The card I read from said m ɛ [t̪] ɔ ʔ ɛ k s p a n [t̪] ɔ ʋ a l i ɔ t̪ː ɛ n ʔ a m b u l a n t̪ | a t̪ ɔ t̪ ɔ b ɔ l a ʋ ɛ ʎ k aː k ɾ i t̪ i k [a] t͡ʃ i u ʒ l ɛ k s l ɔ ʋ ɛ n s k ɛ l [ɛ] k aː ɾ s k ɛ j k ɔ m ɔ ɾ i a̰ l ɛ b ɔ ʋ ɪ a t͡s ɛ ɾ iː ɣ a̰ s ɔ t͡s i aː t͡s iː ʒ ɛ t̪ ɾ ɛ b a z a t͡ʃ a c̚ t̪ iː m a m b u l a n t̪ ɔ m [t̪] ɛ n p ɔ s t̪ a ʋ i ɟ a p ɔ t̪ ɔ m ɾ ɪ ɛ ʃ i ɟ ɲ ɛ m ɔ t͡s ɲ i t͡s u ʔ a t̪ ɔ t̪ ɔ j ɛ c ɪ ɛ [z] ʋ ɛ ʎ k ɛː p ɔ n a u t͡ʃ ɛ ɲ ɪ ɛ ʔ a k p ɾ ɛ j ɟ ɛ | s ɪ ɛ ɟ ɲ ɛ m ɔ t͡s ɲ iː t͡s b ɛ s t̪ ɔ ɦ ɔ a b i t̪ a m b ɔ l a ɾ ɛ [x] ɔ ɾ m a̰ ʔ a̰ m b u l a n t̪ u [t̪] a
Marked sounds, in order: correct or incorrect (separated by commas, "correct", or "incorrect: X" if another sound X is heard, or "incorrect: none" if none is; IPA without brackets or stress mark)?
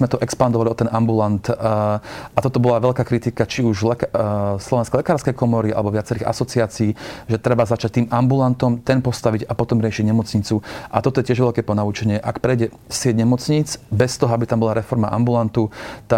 correct, incorrect: d̪, correct, correct, correct, incorrect: ʒ, incorrect: f, correct